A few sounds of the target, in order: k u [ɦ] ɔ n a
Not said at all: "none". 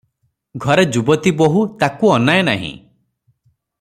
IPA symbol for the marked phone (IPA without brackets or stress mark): none